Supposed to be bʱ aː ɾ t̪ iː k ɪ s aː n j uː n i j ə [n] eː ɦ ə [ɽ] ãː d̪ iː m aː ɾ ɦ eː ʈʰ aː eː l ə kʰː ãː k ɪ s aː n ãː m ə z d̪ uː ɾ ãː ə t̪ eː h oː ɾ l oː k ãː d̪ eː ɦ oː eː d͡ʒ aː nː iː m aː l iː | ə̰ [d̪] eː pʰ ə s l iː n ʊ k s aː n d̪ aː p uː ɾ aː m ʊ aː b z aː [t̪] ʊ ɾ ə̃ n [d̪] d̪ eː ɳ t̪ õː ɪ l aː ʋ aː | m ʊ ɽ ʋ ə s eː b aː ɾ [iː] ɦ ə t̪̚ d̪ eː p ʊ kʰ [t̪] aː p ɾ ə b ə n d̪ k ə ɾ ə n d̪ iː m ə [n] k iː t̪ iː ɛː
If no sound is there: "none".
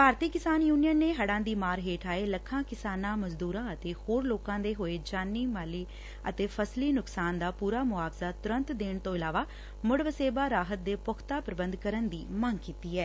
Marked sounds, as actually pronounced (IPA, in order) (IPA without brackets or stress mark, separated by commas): nː, ɽ, t̪, t̪, t̪, aː, t̪, ŋ